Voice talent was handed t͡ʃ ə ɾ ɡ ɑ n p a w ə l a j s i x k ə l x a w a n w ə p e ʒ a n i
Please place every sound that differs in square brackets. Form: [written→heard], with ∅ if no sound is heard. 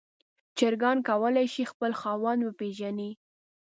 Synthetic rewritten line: t͡ʃ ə ɾ ɡ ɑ n [p→k] a w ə l a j [s→ʃ] i x [k→p] ə l x [a→ɑ] w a n w ə p e ʒ a n i